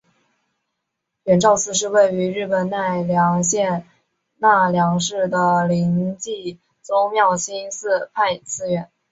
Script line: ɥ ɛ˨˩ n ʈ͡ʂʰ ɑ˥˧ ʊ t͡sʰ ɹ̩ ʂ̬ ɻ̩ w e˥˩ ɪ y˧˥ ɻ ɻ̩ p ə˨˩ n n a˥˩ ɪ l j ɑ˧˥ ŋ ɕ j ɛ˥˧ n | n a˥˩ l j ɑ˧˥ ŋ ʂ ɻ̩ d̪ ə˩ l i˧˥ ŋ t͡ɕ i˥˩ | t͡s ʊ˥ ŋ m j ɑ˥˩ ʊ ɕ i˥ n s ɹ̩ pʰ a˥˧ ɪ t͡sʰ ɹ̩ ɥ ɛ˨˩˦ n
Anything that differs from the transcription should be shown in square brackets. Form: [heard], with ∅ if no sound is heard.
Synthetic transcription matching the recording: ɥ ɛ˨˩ n [ʈ͡ʂ] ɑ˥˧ ʊ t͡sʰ ɹ̩ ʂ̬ ɻ̩ w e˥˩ ɪ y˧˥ ɻ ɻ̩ p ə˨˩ n n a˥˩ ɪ l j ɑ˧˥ ŋ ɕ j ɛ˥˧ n | n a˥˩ l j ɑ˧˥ ŋ ʂ ɻ̩ d̪ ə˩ l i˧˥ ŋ t͡ɕ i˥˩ | t͡s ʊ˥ ŋ m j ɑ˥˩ ʊ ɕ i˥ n s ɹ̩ pʰ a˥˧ ɪ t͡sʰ ɹ̩ ɥ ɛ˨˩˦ n

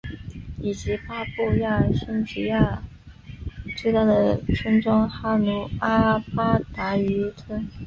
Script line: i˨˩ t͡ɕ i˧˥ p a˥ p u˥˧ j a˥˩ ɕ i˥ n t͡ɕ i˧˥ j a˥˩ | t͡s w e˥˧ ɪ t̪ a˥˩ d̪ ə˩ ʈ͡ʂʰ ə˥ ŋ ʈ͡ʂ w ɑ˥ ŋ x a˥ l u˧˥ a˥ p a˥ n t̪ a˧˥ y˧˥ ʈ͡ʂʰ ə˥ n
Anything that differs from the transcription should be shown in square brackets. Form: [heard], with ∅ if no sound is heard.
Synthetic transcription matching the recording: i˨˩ t͡ɕ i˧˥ p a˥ p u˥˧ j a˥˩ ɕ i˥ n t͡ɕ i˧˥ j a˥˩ | t͡s w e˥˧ ɪ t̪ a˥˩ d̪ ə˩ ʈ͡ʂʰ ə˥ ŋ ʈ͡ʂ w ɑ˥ ŋ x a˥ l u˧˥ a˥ p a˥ [∅] t̪ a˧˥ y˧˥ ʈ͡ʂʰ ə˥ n

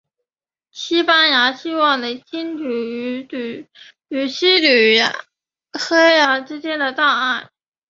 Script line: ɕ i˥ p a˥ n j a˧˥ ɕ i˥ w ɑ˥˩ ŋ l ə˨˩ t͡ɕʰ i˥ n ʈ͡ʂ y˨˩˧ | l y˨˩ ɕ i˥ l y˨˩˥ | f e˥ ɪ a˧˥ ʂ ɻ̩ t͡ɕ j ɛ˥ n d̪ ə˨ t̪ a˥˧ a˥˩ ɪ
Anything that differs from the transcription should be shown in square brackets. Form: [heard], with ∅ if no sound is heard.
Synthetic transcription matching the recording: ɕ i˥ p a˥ n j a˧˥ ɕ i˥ w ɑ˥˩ ŋ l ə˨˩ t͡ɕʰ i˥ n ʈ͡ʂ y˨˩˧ | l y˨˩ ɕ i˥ l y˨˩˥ | [x] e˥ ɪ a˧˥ [ʈ͡ʂ] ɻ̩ t͡ɕ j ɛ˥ n d̪ ə˨ t̪ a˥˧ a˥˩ ɪ

